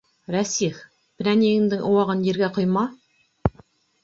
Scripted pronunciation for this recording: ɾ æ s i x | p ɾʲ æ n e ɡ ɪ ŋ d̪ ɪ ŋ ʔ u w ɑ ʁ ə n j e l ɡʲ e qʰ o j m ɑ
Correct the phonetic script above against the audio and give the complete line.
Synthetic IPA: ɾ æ s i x | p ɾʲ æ n e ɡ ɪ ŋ d̪ ɪ ŋ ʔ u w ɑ ʁ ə n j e ɾ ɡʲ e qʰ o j m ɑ